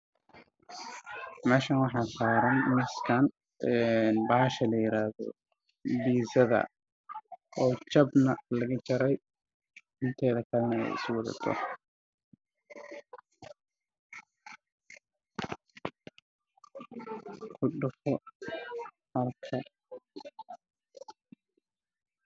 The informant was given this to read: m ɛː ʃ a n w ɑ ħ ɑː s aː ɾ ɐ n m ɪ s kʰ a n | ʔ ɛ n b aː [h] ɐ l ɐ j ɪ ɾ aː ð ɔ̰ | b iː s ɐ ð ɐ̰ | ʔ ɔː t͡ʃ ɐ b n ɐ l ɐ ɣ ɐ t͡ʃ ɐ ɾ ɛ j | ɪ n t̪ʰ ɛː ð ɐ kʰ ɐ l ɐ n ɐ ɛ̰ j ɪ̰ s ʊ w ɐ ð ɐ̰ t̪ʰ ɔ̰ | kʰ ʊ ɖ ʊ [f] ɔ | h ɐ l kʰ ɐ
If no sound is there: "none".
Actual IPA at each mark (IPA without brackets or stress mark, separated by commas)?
ʃ, f